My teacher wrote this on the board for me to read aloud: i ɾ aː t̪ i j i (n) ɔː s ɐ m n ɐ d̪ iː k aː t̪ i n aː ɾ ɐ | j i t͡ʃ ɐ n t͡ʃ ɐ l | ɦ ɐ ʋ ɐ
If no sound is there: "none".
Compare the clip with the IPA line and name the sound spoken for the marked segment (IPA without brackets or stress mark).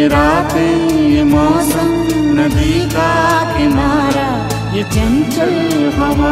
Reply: m